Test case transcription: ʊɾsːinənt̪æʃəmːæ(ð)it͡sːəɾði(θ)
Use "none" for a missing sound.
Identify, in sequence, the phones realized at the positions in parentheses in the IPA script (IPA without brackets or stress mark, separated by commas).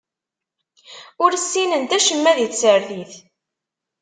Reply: ð, θ